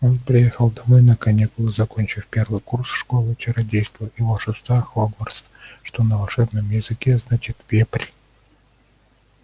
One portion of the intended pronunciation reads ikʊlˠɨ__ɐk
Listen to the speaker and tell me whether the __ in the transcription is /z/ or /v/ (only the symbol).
z